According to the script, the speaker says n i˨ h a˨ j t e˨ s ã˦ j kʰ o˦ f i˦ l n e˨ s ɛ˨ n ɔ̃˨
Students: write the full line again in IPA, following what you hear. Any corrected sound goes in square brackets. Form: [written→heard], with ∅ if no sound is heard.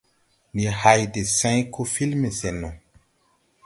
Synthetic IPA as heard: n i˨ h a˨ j [t→d] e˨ s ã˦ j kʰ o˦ f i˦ l [n→m] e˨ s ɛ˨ n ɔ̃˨